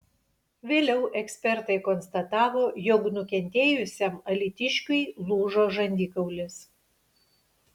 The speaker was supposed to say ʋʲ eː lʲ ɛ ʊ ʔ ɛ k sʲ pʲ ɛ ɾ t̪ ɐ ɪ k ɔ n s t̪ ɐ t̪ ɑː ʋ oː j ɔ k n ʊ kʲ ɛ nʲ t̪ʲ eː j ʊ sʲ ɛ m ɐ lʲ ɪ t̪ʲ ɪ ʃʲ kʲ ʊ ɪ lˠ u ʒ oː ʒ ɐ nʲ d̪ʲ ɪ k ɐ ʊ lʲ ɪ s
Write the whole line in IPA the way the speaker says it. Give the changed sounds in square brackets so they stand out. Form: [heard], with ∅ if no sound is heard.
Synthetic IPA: ʋʲ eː lʲ ɛ ʊ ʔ ɛ k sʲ pʲ ɛ ɾ t̪ ɐ ɪ k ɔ n s t̪ ɐ t̪ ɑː ʋ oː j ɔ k n ʊ kʲ ɛ nʲ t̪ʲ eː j ʊ sʲ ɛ m ɐ lʲ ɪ t̪ʲ ɪ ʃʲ kʲ ʊ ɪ lˠ [uː] ʒ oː ʒ ɐ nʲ d̪ʲ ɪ k ɐ ʊ lʲ ɪ s